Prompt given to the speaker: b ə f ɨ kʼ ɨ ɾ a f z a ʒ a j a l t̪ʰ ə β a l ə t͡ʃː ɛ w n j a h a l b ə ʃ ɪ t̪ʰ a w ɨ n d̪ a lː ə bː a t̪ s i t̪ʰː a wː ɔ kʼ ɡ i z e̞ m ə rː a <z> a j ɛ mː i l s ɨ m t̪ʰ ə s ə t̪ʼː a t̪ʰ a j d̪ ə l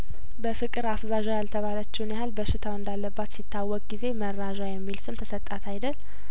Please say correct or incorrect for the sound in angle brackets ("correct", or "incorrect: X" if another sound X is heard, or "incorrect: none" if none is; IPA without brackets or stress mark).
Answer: incorrect: ʒ